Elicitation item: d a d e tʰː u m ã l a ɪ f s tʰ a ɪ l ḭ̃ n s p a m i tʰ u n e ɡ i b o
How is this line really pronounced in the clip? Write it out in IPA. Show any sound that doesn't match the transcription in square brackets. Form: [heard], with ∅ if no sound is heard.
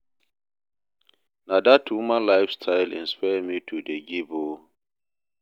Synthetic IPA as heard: [n] a d [a] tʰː u m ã l a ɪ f s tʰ a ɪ l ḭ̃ n s p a m i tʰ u [d] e ɡ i b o